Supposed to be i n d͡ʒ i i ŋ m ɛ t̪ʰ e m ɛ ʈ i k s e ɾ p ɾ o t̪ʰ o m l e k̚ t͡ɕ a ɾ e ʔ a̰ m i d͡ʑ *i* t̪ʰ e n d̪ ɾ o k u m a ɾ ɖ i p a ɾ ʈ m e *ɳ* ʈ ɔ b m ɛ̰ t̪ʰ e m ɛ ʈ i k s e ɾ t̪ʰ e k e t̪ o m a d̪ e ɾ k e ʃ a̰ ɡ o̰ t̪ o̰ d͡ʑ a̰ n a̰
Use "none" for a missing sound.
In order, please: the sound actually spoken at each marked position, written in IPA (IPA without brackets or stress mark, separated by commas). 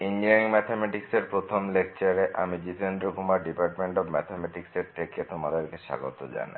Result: i, ɳ